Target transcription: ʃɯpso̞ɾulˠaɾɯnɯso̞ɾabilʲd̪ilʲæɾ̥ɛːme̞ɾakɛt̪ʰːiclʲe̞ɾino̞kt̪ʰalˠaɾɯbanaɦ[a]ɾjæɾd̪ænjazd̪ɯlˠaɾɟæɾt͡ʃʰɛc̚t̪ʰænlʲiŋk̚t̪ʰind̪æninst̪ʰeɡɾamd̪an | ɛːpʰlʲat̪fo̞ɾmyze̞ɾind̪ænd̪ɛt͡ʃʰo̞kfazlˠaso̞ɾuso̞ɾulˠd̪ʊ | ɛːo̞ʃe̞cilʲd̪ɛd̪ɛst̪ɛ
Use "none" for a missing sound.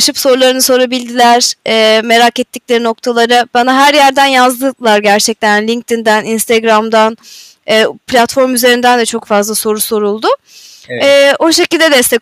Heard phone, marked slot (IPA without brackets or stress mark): æ